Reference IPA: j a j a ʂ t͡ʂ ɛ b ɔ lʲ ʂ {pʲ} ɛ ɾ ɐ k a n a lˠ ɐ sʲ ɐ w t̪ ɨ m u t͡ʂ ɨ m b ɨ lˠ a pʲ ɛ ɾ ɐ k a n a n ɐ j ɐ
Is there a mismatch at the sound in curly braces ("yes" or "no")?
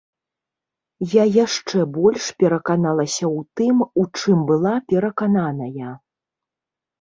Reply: no